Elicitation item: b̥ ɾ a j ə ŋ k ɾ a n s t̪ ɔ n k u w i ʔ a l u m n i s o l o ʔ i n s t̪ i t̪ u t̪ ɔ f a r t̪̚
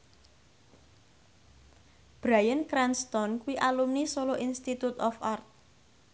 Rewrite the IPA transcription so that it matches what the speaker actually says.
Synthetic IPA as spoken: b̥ ɾ a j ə n k ɾ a n s t̪ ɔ n k u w i ʔ a l u m n i s o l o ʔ i n s t̪ i t̪ u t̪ ɔ f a r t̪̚